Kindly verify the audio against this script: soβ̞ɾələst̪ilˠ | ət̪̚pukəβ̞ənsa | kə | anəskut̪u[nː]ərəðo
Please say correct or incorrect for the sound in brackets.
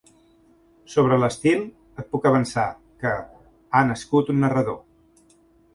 correct